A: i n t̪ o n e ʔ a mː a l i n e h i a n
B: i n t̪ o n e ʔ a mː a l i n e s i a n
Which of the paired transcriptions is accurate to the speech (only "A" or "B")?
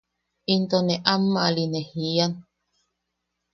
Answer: A